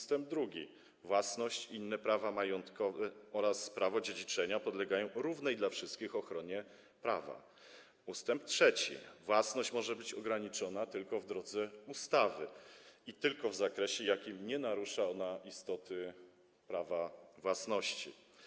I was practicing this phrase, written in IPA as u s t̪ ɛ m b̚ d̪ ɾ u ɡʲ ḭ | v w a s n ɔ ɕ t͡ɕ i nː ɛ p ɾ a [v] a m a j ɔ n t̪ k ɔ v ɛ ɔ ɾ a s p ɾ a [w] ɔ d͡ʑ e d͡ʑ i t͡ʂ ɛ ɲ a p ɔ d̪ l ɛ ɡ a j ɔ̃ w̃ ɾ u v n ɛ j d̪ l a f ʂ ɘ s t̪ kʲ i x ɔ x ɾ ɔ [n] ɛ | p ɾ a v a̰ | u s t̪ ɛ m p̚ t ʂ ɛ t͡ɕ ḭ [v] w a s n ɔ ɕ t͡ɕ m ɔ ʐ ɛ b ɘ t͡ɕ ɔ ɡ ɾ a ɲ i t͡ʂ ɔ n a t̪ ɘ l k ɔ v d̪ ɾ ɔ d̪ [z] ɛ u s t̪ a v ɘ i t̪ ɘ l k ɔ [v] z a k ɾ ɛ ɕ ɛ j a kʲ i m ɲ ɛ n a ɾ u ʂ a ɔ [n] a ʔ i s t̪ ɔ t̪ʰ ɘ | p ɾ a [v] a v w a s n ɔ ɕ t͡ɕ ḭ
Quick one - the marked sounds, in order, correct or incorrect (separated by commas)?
correct, incorrect, incorrect, correct, correct, correct, correct, correct